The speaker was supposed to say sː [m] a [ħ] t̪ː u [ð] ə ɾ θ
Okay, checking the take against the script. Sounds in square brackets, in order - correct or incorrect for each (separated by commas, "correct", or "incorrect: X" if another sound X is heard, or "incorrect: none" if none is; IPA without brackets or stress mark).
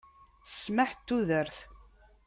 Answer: correct, correct, correct